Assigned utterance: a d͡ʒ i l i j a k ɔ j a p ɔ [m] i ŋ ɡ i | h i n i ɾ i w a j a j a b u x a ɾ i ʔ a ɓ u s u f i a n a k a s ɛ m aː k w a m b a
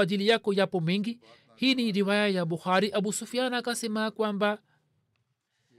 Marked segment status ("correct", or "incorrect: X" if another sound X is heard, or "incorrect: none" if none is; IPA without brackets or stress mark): correct